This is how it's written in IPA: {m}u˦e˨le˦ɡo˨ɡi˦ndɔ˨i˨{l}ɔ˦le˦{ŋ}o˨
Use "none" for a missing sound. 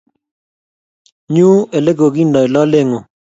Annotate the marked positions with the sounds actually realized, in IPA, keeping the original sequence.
ɲ, l, ŋ

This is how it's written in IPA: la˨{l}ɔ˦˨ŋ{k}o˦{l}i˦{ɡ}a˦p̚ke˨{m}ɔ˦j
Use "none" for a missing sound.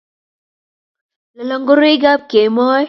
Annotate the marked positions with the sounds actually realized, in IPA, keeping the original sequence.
l, ɡ, ɾ, ɡ, m

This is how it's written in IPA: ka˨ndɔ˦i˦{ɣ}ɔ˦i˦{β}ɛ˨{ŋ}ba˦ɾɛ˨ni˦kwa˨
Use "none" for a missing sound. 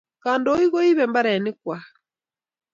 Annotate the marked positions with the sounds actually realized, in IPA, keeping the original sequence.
ɣ, β, m

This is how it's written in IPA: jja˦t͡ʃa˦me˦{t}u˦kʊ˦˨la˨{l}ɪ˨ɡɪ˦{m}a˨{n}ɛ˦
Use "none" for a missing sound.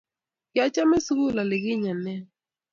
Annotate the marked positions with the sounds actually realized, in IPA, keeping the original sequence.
s, l, ɲ, n

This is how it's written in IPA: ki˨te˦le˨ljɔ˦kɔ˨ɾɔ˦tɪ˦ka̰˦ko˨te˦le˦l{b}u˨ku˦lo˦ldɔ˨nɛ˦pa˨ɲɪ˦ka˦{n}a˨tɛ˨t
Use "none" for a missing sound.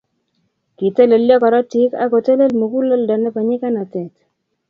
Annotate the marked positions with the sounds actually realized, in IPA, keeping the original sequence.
m, n

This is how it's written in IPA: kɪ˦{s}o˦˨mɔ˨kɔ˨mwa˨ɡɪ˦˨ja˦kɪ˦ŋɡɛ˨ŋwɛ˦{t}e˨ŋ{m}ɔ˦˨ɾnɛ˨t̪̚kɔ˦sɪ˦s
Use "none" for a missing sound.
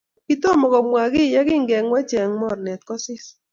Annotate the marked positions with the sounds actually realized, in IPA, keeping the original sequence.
t, t͡ʃ, m

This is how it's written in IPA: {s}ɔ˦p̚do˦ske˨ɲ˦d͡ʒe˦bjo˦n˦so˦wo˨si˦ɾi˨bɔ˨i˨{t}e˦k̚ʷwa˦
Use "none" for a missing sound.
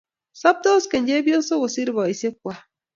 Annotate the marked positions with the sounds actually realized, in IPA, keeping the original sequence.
s, s

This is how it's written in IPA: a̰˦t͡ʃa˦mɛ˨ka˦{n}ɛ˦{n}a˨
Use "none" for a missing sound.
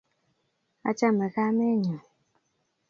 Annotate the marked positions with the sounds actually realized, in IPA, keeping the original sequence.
m, ɲ

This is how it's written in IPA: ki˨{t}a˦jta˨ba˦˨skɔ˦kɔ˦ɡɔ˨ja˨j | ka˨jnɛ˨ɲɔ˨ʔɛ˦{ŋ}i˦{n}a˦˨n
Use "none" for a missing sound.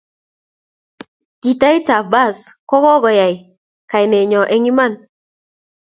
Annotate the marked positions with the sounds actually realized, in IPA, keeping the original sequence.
t, ŋ, m

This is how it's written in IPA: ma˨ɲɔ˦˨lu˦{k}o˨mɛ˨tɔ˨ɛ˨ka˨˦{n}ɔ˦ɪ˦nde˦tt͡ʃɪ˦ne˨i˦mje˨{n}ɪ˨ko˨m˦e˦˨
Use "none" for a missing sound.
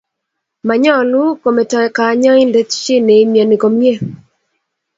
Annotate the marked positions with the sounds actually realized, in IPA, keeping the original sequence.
k, ɲ, n

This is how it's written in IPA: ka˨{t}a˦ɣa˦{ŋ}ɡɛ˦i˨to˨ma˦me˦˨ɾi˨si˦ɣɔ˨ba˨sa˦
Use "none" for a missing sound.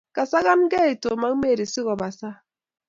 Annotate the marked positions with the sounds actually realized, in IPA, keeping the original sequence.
s, n

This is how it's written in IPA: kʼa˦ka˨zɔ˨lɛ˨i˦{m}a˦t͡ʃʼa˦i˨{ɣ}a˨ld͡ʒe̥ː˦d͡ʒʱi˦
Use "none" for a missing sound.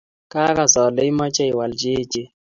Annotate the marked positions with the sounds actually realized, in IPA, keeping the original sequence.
m, w

